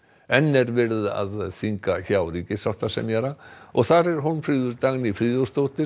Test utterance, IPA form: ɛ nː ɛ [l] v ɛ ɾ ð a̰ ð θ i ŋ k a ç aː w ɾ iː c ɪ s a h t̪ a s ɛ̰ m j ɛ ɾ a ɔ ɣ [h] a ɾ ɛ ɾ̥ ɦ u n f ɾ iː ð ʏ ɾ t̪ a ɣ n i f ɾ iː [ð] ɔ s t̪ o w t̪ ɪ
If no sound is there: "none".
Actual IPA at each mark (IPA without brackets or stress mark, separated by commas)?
ɾ, θ, ð